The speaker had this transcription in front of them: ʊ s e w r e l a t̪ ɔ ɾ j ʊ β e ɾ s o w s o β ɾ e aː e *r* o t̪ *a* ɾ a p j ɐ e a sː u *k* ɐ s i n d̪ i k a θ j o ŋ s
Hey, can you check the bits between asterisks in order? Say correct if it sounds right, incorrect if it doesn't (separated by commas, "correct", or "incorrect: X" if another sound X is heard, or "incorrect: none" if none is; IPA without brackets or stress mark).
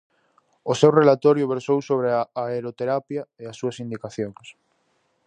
incorrect: ɾ, incorrect: e, incorrect: none